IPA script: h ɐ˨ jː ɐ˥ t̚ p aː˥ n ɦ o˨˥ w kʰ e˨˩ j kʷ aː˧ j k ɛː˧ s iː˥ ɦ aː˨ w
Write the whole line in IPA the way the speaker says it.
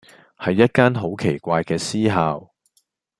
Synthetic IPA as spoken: h ɐ˨ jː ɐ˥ t̚ k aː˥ n ɦ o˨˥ w kʰ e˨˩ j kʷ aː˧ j k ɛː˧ s iː˥ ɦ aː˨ w